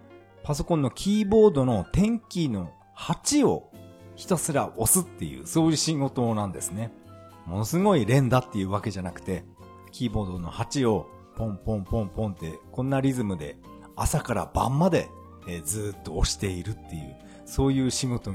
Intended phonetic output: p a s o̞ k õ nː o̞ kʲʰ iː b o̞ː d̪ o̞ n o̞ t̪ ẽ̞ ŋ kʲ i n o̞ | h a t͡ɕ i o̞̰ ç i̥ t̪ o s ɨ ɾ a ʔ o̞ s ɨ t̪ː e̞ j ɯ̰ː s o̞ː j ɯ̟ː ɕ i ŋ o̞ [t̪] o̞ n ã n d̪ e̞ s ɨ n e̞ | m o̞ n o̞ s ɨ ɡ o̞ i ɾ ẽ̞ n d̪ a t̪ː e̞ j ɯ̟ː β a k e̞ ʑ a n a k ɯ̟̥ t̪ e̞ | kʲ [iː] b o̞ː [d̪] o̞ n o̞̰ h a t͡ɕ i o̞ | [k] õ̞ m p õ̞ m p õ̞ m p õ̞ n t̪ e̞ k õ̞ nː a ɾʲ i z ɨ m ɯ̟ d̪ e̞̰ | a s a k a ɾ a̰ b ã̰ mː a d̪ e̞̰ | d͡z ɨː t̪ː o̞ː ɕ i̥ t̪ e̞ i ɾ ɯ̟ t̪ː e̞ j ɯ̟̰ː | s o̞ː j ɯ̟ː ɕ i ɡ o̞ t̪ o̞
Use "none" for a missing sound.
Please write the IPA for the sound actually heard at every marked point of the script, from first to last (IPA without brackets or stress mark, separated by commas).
t̪, iː, d̪, p